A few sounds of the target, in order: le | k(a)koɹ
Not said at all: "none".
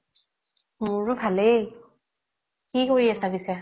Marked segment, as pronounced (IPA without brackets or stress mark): i